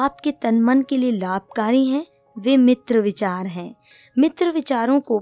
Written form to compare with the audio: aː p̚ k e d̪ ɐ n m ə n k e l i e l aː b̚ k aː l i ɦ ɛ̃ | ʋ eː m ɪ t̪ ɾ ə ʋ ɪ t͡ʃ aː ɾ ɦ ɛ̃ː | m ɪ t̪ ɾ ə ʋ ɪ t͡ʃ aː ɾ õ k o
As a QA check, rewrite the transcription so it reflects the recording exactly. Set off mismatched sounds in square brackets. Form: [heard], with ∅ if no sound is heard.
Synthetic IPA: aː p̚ k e [t̪] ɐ n m ə n k e l i e l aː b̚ k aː [ɾ] i ɦ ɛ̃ | ʋ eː m ɪ t̪ ɾ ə ʋ ɪ t͡ʃ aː ɾ ɦ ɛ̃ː | m ɪ t̪ ɾ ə ʋ ɪ t͡ʃ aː ɾ õ k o